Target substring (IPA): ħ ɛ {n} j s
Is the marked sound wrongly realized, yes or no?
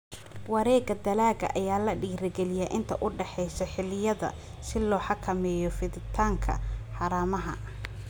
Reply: yes